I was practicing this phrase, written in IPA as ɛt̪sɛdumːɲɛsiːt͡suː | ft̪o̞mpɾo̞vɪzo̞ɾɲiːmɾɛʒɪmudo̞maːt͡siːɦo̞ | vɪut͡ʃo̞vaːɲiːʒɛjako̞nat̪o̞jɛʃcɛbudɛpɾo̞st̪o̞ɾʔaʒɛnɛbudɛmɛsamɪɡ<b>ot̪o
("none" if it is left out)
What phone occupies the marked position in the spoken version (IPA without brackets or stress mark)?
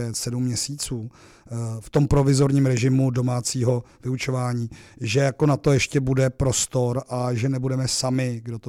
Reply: d